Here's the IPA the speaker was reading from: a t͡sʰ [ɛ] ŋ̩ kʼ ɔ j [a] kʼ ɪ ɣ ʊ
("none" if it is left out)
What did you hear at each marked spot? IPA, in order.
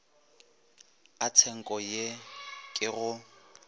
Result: ɛ, e

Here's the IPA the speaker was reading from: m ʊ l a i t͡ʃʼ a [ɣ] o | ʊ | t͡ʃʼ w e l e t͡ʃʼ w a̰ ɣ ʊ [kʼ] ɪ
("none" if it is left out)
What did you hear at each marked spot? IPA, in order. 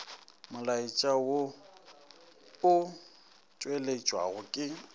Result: w, kʼ

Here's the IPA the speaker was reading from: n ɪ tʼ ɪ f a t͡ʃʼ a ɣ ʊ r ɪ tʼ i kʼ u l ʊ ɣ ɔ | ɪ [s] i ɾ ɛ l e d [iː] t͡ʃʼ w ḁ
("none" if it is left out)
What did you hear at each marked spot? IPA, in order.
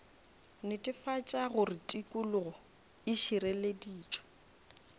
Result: ʃ, iː

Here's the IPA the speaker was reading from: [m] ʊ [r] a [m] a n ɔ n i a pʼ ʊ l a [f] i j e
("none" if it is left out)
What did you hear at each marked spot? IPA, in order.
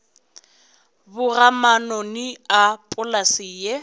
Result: b, r, m, s

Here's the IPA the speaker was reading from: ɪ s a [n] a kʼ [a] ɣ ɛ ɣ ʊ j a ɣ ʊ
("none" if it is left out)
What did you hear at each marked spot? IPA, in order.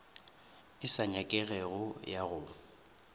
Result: ɲ, ɛ

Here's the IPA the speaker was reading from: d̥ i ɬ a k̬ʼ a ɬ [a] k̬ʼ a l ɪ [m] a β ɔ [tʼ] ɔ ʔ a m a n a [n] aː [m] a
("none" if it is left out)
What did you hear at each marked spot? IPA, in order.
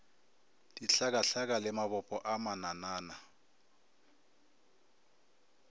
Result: a, m, pʼ, n, n

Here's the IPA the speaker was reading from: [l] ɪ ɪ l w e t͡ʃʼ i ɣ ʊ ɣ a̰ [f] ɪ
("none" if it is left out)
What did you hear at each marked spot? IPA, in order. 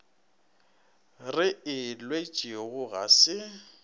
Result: r, s

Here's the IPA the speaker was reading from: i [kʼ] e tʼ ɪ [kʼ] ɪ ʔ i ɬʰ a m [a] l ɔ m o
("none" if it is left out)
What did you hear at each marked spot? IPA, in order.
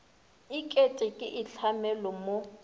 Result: kʼ, kʼ, ɛ

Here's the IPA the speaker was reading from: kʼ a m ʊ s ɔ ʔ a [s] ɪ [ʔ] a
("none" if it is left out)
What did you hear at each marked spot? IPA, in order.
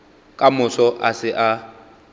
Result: s, ʔ

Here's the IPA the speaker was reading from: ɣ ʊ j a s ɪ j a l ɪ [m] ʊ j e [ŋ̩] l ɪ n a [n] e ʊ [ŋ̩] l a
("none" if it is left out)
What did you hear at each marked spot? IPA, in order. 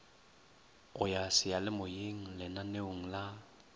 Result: m, ŋ̩, n, ŋ̩

